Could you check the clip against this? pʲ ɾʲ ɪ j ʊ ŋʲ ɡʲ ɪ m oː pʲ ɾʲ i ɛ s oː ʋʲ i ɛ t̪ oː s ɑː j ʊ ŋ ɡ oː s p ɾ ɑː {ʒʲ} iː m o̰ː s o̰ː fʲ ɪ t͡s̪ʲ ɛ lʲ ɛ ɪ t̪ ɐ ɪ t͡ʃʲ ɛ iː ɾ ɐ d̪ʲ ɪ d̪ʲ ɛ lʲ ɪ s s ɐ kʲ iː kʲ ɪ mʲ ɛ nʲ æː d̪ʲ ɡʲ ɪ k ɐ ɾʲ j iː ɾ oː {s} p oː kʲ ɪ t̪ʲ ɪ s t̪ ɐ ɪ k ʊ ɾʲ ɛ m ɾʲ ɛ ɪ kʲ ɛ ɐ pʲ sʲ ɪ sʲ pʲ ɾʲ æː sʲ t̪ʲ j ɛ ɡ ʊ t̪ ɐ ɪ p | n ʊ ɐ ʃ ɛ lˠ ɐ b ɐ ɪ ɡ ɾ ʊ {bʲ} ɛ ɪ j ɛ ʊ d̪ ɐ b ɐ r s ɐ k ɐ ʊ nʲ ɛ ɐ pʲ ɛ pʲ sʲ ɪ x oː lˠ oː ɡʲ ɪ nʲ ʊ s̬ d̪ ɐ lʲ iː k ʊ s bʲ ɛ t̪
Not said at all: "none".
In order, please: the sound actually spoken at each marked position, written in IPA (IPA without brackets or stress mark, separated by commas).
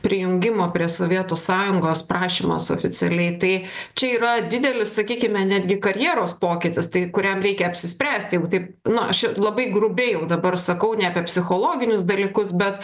ʃʲ, s, bʲ